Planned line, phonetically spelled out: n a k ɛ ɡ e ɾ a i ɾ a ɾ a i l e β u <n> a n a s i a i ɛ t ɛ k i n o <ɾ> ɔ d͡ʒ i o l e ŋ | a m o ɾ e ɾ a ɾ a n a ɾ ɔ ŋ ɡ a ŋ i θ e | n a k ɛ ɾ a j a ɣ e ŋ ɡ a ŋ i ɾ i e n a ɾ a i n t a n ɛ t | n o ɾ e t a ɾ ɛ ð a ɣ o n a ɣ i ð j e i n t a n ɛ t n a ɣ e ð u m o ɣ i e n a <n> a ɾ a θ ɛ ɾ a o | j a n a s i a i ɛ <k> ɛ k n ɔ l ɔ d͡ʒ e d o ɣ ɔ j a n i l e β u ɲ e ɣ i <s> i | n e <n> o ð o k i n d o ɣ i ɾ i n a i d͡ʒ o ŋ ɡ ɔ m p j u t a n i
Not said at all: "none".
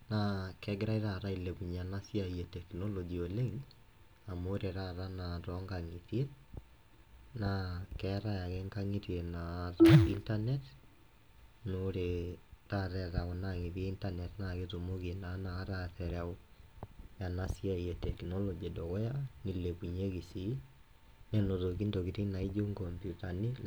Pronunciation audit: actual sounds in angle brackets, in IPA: ɲ, l, n, t, s, n

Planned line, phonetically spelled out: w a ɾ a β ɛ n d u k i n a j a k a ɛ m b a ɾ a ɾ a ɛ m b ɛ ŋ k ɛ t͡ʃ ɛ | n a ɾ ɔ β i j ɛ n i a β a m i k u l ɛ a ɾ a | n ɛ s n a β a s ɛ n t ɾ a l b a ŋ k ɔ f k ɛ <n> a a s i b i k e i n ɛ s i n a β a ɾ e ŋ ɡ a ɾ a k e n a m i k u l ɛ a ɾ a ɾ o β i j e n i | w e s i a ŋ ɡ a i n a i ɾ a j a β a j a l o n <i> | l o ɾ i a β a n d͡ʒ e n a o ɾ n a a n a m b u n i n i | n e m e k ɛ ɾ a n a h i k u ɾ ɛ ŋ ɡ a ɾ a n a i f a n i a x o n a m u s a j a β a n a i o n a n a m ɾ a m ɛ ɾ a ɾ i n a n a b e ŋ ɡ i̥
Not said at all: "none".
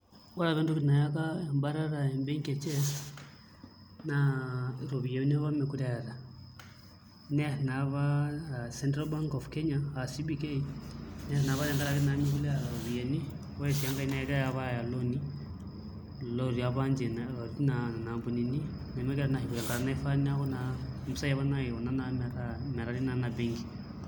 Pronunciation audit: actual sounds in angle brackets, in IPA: ɲ, i

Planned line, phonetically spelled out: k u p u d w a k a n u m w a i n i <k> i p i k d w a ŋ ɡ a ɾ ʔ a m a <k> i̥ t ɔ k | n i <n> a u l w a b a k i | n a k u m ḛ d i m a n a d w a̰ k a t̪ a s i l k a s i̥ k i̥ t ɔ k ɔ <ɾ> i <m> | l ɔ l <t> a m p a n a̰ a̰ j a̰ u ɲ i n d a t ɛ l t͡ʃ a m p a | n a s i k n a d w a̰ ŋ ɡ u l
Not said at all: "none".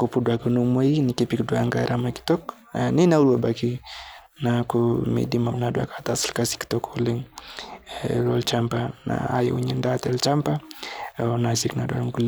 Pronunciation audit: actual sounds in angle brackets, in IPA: k, k, n, l, ŋ, t͡ʃ

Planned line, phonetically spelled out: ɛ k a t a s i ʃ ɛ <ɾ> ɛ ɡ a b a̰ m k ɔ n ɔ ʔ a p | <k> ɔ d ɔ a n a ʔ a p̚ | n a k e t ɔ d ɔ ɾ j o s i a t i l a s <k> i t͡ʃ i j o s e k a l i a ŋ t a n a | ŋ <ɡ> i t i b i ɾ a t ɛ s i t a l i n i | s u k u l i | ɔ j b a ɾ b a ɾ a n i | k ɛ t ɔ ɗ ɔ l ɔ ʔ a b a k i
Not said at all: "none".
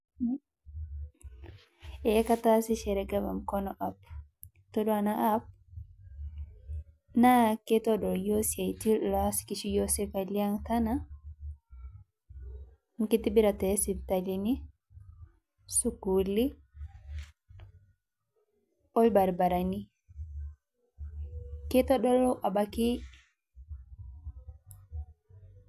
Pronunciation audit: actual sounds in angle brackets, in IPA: ɾ, t, k, k

